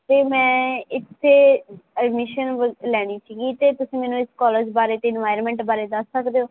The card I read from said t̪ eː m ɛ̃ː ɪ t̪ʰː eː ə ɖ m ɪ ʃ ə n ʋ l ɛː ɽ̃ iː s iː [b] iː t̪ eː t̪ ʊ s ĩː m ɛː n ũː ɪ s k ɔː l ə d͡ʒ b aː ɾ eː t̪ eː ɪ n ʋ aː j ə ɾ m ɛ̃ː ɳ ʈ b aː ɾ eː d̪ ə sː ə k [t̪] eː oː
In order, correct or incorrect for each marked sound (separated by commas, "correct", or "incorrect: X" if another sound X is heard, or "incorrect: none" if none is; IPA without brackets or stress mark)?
incorrect: ɡ, incorrect: d̪